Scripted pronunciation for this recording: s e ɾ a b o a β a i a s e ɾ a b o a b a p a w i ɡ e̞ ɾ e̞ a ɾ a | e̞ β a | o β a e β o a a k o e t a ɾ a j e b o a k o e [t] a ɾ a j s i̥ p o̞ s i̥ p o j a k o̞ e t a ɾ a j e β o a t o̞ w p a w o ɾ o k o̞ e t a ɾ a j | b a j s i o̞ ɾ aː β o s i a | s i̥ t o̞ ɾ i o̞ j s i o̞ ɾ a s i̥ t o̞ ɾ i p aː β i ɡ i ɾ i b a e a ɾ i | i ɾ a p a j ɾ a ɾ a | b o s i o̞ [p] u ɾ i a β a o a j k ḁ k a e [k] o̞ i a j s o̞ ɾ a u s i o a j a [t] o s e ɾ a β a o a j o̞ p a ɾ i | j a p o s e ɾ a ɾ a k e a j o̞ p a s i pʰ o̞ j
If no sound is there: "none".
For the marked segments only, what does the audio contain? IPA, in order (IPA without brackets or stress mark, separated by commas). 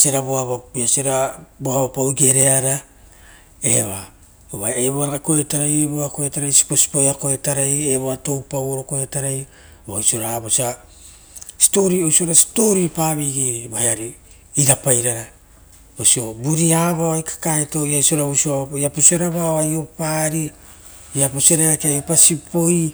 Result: t, b, t, p